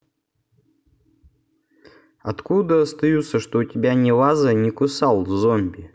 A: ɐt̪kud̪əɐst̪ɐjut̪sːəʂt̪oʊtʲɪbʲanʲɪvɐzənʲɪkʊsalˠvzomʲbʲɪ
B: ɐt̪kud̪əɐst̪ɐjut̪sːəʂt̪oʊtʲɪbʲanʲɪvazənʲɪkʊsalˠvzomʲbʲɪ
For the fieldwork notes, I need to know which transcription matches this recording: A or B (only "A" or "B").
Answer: B